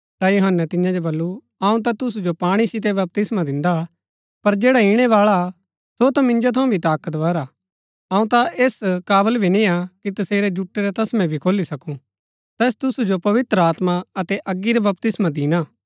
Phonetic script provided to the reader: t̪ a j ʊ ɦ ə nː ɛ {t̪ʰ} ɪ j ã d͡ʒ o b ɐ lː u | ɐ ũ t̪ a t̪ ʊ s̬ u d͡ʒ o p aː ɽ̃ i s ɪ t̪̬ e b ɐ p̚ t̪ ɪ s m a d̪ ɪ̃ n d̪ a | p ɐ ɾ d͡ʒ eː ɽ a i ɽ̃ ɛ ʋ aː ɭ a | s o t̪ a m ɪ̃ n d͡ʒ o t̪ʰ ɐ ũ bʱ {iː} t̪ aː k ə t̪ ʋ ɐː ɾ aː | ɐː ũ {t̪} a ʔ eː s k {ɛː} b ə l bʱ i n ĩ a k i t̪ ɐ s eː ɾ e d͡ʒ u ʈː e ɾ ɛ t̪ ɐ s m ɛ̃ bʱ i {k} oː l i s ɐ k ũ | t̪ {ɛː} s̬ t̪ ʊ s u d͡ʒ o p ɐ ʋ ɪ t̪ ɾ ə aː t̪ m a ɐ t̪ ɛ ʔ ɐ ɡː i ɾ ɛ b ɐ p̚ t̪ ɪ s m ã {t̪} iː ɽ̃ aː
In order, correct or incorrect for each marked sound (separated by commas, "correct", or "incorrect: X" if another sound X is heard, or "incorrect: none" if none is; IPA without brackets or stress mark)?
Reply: incorrect: t̪, incorrect: i, correct, incorrect: aː, incorrect: kʰ, correct, incorrect: d̪